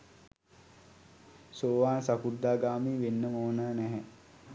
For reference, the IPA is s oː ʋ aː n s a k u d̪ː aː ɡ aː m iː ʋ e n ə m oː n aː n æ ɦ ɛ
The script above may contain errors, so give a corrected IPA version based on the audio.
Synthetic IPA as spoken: s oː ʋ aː n s a k u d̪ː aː ɡ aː m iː ʋ e nː ə m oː n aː n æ ɦ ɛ